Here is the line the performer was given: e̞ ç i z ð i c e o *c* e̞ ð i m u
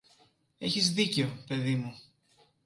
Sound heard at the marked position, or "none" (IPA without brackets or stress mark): p